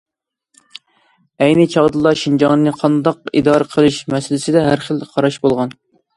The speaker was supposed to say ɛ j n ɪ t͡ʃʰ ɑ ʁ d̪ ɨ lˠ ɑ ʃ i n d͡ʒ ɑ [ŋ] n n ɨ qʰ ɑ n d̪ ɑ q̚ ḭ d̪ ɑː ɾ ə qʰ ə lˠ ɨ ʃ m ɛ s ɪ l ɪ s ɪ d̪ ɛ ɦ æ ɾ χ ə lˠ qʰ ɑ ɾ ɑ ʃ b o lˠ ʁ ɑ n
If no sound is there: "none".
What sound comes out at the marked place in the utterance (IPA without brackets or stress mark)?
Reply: ŋ